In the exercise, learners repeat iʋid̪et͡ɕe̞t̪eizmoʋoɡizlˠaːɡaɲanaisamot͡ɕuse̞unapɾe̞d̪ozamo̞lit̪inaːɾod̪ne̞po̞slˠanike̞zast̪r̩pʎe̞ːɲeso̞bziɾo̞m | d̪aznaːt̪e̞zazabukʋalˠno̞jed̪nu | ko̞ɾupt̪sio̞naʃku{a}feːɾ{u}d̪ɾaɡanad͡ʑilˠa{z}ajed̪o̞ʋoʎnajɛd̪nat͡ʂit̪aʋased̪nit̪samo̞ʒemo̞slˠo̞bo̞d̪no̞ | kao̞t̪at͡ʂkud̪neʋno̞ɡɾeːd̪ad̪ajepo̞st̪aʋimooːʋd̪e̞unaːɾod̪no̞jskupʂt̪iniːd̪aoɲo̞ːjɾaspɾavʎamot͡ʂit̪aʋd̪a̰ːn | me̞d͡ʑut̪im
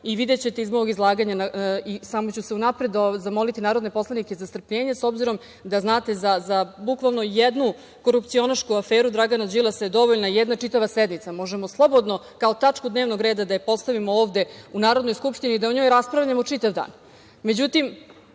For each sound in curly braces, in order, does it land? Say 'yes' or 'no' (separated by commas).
yes, yes, no